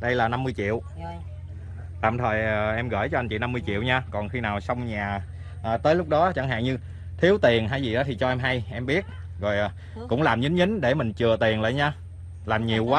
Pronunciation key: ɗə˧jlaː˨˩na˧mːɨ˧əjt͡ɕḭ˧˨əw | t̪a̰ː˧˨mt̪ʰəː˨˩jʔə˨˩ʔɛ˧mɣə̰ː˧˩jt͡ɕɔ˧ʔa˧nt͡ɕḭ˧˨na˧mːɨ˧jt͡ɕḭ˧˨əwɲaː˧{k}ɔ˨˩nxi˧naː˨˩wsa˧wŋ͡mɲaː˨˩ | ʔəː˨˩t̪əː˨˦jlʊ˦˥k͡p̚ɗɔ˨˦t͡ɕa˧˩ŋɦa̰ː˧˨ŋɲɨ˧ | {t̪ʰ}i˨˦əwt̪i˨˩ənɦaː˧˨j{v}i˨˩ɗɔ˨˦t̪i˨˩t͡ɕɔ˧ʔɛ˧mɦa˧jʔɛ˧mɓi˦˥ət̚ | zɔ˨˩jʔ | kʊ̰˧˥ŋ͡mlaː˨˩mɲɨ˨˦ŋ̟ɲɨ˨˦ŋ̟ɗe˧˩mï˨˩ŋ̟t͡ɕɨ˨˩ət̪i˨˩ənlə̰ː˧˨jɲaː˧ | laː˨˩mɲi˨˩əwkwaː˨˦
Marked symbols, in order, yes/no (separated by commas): yes, yes, no